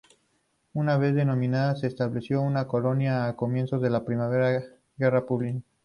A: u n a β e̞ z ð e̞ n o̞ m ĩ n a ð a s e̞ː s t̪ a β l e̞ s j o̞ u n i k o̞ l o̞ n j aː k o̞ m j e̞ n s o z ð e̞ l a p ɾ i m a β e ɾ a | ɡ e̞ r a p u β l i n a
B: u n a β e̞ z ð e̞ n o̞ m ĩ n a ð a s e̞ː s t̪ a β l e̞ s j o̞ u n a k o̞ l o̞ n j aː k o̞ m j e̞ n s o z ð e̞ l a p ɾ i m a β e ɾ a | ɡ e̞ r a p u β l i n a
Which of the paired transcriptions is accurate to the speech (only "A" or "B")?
B